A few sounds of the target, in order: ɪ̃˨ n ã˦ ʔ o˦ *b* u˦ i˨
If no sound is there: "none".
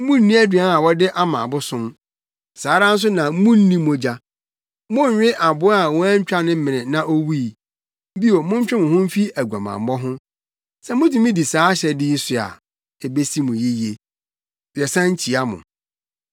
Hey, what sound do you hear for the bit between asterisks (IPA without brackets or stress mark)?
w